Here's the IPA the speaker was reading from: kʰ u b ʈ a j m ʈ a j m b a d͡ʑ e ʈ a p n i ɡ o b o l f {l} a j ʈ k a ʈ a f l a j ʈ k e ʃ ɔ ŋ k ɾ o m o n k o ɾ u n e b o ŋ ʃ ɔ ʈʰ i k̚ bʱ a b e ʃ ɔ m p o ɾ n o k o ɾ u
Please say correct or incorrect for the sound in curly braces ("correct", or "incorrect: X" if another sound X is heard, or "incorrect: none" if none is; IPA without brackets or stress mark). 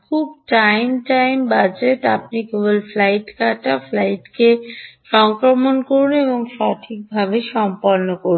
correct